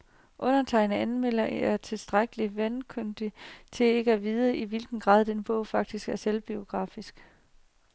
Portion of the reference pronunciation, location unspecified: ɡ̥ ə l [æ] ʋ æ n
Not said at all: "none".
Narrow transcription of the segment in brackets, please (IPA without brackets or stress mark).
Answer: i